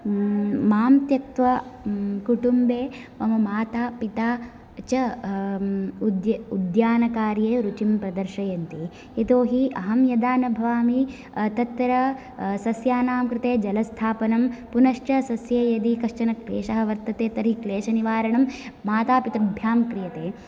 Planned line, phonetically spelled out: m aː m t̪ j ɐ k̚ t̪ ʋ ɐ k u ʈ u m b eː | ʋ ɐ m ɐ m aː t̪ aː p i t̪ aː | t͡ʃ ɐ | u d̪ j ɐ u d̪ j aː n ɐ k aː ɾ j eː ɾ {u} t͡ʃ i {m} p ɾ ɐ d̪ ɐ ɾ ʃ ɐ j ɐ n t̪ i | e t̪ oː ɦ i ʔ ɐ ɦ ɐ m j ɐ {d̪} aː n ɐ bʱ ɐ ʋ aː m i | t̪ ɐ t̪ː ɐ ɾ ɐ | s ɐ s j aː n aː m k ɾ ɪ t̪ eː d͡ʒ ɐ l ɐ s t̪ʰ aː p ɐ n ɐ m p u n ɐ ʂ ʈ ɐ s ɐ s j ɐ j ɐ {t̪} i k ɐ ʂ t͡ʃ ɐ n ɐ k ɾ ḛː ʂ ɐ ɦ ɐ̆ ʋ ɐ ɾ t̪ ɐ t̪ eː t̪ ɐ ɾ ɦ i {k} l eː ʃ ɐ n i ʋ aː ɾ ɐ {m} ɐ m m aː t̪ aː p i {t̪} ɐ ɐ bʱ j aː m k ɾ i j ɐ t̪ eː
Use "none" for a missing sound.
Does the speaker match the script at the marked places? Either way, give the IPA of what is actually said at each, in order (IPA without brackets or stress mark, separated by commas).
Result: u, m, d̪, d̪, k, ɳ, t̪